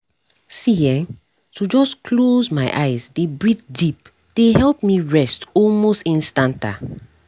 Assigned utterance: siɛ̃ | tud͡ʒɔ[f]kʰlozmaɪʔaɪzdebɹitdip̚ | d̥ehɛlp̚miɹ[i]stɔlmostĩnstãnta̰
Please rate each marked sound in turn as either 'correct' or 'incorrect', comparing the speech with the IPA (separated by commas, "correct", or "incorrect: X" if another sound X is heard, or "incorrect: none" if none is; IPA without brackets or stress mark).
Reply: incorrect: s, incorrect: ɛ